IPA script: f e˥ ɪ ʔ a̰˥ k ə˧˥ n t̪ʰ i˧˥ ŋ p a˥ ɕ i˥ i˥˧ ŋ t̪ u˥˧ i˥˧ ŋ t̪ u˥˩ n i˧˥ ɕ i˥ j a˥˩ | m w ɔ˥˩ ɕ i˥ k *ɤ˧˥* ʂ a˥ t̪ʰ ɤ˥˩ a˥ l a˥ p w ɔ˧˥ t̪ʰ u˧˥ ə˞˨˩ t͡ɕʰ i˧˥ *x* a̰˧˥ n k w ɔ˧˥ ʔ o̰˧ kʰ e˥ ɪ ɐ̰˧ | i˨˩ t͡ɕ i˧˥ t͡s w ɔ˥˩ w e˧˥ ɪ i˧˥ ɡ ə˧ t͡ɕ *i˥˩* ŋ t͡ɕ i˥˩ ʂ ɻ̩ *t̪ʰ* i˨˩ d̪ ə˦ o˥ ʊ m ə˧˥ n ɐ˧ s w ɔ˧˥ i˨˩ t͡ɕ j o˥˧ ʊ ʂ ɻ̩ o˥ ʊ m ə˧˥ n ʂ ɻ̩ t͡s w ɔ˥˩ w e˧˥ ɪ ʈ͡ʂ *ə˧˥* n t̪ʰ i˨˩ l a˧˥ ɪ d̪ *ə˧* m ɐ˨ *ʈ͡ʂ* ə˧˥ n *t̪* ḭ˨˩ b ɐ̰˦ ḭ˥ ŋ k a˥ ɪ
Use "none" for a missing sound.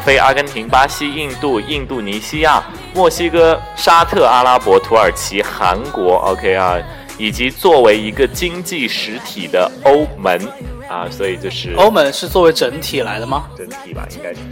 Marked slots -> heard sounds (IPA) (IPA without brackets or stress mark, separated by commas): ɤ˥, x, i˥, t̪ʰ, ə˧˥, ə˧, ʈ͡ʂ, t̪ʰ